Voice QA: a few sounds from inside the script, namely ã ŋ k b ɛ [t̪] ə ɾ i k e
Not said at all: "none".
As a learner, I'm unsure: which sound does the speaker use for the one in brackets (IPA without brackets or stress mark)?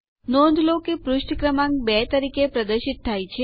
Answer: t̪